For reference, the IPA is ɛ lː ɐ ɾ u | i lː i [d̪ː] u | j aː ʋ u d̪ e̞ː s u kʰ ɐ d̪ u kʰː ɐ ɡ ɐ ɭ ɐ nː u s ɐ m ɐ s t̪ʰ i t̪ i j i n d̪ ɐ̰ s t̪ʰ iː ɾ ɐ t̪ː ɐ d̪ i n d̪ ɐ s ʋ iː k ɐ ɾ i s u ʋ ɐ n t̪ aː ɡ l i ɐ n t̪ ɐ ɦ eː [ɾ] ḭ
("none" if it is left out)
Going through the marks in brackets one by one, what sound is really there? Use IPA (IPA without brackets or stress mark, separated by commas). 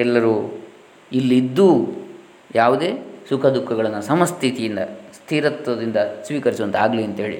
d̪ː, ɭ